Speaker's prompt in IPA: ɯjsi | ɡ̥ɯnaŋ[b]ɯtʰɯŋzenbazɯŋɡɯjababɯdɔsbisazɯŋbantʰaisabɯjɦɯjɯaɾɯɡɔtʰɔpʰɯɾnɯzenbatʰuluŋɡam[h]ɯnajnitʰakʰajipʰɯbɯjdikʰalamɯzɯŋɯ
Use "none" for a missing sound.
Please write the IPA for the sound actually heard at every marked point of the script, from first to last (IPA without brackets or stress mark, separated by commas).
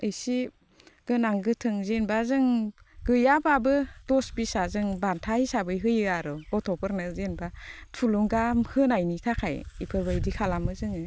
ɡ, h